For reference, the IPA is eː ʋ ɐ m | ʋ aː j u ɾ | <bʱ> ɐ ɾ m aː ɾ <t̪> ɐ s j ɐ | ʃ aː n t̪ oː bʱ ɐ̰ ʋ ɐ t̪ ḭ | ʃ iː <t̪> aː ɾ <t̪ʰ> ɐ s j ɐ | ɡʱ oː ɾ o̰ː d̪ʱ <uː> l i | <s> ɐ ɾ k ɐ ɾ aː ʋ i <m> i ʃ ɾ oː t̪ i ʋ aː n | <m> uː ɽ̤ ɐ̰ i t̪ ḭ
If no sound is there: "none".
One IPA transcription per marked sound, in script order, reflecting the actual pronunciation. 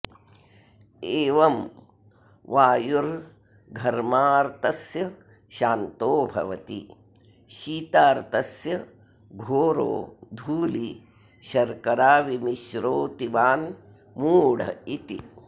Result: ɡʱ, t̪, t̪, t̪, uː, ʃ, m, m

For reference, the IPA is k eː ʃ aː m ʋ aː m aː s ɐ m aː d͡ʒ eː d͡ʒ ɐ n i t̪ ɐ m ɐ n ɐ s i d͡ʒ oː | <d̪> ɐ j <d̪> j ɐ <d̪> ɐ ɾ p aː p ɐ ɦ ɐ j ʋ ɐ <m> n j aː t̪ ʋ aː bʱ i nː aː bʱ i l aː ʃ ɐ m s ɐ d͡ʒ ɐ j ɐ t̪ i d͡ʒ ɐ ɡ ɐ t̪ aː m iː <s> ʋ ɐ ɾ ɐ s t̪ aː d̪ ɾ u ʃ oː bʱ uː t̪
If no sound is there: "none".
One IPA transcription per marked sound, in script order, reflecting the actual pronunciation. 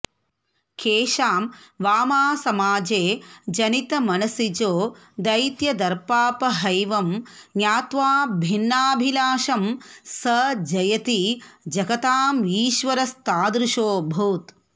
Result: d̪, t̪, d̪, m, ʃ

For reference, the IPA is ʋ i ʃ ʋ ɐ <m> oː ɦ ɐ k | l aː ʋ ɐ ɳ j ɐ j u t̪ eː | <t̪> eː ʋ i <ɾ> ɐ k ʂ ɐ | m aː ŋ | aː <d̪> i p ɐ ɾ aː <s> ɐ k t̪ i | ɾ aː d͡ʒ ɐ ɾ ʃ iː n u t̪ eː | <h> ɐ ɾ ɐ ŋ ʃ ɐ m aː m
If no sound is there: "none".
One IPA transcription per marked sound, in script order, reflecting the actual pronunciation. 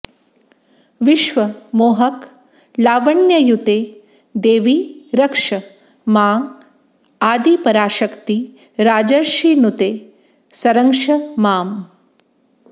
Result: m, d̪, ɾ, d̪, ʃ, s

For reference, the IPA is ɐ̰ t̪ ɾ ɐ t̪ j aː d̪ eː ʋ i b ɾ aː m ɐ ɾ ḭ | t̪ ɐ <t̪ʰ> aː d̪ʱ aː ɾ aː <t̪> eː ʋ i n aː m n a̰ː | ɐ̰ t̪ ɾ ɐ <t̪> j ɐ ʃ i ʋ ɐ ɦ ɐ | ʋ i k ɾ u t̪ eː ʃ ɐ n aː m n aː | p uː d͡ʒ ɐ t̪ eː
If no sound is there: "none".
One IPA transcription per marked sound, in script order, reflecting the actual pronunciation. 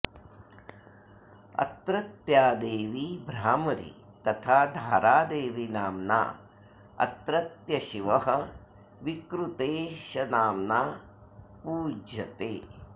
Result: t̪ʰ, d̪, t̪

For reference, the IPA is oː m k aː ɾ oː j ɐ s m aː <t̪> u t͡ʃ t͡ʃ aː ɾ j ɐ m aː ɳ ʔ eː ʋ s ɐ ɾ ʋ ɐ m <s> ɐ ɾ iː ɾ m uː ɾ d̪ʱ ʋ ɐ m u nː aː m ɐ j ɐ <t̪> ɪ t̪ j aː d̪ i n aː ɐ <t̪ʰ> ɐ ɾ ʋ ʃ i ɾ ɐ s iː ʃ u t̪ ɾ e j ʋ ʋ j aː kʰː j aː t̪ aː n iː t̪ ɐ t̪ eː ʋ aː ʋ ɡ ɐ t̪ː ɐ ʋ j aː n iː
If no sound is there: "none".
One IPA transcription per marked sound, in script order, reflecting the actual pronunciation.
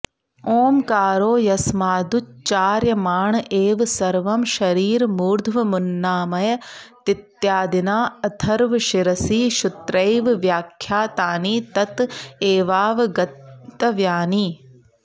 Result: d̪, ʃ, t̪, t̪ʰ

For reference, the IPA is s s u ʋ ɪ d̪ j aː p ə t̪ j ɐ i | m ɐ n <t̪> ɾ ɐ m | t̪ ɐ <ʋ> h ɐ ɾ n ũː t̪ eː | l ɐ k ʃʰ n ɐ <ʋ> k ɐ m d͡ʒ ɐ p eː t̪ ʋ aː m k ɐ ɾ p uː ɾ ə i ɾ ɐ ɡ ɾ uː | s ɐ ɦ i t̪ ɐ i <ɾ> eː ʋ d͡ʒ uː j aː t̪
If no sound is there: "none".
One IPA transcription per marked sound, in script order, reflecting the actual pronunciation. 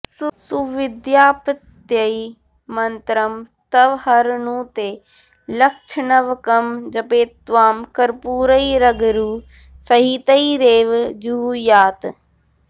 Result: t̪, ʋ, ʋ, ɾ

